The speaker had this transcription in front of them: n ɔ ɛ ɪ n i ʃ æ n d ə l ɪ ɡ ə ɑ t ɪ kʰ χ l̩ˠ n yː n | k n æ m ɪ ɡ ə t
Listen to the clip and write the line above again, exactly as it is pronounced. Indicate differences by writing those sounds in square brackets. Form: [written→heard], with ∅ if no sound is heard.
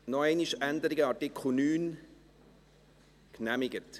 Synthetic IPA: n ɔ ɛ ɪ n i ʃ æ n d ə [l→ɾ] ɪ ɡ ə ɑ t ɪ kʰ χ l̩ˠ n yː n | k n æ m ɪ ɡ ə t